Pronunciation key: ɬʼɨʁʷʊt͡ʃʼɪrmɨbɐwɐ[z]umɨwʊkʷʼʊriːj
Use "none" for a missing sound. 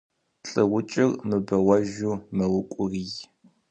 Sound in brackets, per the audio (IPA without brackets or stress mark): ʒ